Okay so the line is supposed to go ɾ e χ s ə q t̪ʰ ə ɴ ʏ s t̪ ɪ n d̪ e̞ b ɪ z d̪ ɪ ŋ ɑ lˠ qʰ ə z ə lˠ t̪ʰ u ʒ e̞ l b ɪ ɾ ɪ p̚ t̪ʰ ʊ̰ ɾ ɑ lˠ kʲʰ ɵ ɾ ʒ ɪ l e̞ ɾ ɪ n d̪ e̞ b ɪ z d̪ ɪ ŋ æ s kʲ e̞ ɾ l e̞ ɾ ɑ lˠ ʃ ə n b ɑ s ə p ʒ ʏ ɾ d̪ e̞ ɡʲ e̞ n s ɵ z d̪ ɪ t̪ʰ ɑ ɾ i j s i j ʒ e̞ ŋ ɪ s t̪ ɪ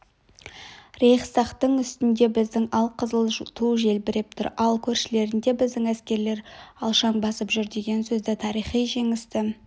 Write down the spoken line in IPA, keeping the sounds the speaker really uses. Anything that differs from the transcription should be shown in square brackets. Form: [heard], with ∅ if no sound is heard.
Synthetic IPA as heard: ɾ e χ s [ɑ] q [t̪] ə ɴ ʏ s t̪ ɪ n d̪ e̞ b ɪ z d̪ ɪ ŋ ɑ lˠ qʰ ə z ə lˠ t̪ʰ u ʒ e̞ l b ɪ ɾ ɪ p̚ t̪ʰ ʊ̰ ɾ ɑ lˠ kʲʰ ɵ ɾ [ʃ] ɪ l e̞ ɾ ɪ n d̪ e̞ b ɪ z d̪ ɪ ŋ æ s kʲ e̞ ɾ l e̞ ɾ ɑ lˠ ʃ [ɑ] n b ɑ s ə p ʒ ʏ ɾ d̪ e̞ ɡʲ e̞ n s ɵ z d̪ ɪ t̪ʰ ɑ ɾ i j [χ] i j ʒ e̞ ŋ ɪ s t̪ ɪ